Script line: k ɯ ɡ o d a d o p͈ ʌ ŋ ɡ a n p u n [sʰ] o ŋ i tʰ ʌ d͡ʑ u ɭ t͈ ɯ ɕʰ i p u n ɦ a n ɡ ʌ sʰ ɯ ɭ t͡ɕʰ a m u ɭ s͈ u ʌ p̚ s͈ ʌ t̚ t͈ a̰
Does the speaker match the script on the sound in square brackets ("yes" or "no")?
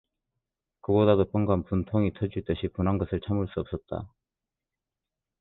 no